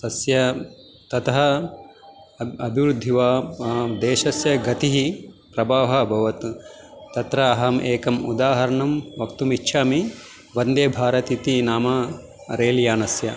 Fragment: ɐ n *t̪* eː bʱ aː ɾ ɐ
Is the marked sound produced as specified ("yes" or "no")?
no